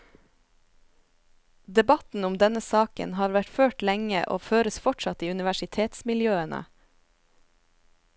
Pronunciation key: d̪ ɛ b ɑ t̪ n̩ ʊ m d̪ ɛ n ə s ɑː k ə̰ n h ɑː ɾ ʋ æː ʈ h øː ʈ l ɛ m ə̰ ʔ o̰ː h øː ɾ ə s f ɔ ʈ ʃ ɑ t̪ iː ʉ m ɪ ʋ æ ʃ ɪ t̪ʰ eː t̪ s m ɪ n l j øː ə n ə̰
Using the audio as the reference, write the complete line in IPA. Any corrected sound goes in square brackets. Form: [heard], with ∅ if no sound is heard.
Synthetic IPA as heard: d̪ ɛ b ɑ t̪ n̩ ʊ m d̪ ɛ n ə s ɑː k ə̰ n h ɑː ɾ ʋ [æ] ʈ [f] øː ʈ l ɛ [ŋ] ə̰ ʔ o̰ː [f] øː ɾ ə s f ɔ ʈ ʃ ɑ t̪ iː ʉ [n] ɪ ʋ æ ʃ ɪ t̪ʰ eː t̪ s m ɪ [∅] l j øː ə n ə̰